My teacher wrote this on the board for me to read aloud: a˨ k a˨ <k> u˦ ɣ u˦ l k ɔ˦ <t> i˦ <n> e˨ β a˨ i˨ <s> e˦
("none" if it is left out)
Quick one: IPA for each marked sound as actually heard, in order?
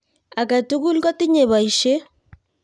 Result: t, t, ɲ, ʃ

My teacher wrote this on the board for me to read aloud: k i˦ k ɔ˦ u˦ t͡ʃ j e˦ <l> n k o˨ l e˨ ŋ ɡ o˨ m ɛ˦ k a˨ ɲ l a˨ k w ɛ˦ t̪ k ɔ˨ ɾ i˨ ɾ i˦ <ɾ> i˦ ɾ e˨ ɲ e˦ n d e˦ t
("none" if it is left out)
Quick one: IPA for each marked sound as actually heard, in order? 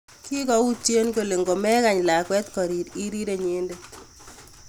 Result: none, ɾ

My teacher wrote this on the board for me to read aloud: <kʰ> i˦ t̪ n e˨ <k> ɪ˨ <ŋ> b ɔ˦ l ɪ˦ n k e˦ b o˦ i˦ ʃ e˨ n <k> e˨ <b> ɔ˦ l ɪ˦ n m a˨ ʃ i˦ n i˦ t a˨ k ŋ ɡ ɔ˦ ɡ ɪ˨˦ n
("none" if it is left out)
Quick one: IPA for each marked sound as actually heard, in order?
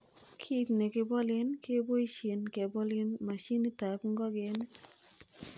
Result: kʰ, k, none, k, b

